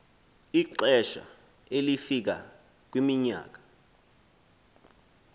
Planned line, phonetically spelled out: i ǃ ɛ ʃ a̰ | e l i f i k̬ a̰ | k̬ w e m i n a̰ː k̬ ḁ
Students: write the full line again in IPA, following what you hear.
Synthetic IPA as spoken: i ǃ ɛ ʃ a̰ | e l i f i k̬ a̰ | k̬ w i m i ɲ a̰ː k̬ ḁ

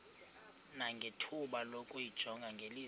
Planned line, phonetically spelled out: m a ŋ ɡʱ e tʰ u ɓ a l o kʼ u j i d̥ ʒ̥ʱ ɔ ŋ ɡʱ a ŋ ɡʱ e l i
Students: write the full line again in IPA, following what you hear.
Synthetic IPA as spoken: n a ŋ ɡʱ e tʰ u ɓ a l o kʼ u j i d̥ ʒ̥ʱ ɔ ŋ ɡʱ a ŋ ɡʱ e l i

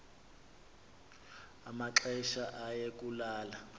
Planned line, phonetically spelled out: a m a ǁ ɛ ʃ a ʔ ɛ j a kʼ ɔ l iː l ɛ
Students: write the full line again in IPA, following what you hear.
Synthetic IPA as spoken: a m a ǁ ɛ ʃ a ʔ a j e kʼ u l aː l a

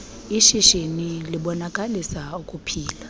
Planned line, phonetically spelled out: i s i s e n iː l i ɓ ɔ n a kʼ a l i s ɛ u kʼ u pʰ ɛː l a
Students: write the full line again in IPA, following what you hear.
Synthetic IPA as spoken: i ʃ i ʃ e n i l i ɓ ɔ n a kʼ a l i s a u kʼ u pʰ iː l a

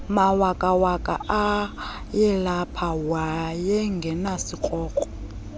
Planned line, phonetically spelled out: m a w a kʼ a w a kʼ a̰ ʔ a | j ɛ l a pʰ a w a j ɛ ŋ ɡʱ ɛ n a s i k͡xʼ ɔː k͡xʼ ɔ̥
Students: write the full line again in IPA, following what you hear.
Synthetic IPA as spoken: m a w a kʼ a w a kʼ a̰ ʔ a | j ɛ l a pʰ a w a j ɛ ŋ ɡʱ ɛ n a s i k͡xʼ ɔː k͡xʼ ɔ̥

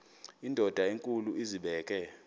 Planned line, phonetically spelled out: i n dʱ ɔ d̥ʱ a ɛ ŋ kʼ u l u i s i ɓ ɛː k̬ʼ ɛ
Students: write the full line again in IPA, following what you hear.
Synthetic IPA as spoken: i n dʱ ɔ d̥ʱ a e ŋ kʼ u l u i z i ɓ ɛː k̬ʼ ɛ

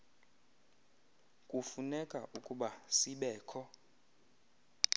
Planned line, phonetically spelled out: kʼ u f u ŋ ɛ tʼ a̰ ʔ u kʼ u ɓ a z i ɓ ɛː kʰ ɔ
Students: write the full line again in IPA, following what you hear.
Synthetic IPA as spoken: kʼ u f u n ɛ kʼ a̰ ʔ u kʼ u ɓ a s i ɓ ɛː kʰ ɔ

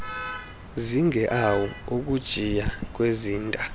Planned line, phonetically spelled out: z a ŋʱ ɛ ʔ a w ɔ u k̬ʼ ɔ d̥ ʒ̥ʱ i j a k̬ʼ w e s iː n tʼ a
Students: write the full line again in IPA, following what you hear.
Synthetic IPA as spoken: z i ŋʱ ɛ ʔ a w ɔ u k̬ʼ u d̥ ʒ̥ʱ i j a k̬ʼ w e z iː n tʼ a

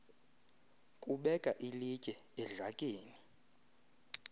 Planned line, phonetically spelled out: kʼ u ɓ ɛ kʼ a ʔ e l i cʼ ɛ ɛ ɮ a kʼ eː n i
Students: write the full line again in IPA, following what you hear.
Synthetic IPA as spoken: kʼ u ɓ ɛ kʼ a ʔ i l i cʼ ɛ ɛ ɮ a kʼ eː n i

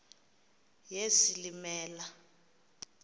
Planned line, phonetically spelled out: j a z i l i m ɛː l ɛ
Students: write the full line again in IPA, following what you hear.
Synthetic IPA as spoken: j e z i l i m ɛː l a

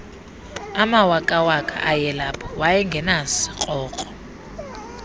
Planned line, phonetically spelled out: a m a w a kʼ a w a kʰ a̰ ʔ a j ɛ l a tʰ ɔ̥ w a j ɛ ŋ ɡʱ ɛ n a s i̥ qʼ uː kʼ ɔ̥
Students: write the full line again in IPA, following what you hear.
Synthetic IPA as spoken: a m a w a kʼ a w a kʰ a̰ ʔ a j ɛ l a pʰ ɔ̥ w a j ɛ ŋ ɡʱ ɛ n a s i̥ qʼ ɔː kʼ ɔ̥

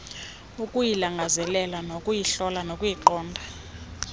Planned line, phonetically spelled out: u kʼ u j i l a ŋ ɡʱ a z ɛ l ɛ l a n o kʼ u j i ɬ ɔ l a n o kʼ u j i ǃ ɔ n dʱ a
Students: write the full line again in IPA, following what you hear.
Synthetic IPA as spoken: u kʼ u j i l a ŋ ɡʱ a z ɛ l ɛ l a n o kʼ u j i ɬ ɔ l a n o kʼ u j i ǃ ɔː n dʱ a

